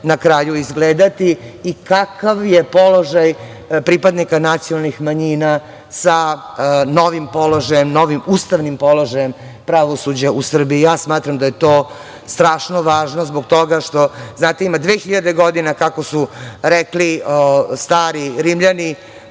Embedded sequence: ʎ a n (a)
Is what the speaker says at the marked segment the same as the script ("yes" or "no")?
no